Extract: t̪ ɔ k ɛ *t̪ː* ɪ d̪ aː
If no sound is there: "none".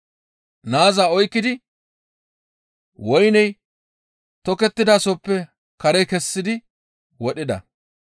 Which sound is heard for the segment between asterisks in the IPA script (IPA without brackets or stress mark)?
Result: t̪ː